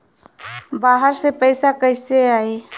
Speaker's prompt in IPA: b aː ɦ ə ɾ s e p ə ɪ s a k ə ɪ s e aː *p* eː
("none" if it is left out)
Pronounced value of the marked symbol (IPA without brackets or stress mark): none